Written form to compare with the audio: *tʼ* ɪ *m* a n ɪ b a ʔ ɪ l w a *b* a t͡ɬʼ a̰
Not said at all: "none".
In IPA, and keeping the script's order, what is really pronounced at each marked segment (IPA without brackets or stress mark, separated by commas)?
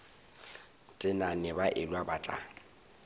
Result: tʼ, n, b